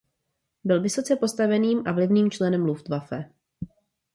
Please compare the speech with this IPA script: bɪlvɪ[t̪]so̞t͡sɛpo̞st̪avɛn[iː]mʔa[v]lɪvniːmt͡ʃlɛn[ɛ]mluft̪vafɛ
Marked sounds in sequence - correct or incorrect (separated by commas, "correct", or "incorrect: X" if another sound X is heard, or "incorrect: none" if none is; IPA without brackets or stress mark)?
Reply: incorrect: none, correct, correct, correct